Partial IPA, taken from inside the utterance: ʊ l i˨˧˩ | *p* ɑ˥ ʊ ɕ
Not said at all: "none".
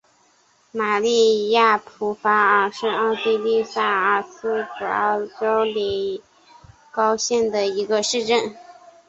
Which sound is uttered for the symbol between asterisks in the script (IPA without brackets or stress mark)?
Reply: k